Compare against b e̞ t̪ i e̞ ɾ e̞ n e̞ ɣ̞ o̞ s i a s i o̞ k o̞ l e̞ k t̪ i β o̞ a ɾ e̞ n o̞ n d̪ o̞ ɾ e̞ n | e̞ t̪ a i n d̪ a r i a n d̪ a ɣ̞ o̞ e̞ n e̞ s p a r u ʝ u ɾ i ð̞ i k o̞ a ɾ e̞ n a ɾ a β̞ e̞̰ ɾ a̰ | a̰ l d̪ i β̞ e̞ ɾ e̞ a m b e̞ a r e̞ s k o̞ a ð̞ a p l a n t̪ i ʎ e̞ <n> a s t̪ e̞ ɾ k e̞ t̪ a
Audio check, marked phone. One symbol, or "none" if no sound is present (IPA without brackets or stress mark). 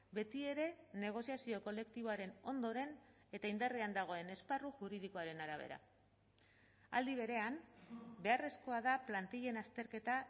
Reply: n